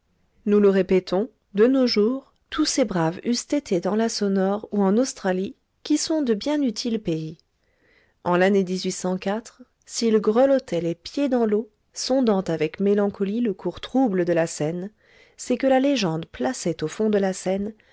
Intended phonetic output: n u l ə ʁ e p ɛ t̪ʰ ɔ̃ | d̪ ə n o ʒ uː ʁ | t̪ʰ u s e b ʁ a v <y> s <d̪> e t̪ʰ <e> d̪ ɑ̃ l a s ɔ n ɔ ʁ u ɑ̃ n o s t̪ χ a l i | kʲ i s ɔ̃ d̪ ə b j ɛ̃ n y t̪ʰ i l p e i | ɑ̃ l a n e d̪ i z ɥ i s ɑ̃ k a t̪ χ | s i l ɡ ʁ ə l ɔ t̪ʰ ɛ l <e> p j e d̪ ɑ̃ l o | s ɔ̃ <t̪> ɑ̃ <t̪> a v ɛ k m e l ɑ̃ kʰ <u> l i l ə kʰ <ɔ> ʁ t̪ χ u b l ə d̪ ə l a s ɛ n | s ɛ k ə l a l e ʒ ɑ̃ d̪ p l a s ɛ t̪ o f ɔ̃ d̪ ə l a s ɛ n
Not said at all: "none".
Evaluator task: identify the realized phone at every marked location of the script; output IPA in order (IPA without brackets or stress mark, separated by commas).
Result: y, t̪, e, e, d̪, t̪, ɔ, u